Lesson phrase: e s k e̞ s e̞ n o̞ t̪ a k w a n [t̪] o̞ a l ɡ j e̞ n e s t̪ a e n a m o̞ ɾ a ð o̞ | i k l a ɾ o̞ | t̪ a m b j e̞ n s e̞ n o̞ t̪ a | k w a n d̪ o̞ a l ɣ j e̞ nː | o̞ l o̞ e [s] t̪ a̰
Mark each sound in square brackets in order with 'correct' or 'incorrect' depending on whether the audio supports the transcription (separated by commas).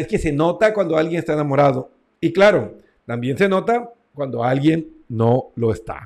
incorrect, correct